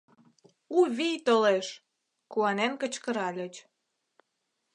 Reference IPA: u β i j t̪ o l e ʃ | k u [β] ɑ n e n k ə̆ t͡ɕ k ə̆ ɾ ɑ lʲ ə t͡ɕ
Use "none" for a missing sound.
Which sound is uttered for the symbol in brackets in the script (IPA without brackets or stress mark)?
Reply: none